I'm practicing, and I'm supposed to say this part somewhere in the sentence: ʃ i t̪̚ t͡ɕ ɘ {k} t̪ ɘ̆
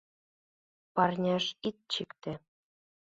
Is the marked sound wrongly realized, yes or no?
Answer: no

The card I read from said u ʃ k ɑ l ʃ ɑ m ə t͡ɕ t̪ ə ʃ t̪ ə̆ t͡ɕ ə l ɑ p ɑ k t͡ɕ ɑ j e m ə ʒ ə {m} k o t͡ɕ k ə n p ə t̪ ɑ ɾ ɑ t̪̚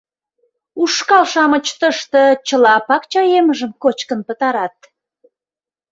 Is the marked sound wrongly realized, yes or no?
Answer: no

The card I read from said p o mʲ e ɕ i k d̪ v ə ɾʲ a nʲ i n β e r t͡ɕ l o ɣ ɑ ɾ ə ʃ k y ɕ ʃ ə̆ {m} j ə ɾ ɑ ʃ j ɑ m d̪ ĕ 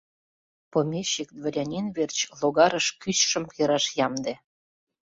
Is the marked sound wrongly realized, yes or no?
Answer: no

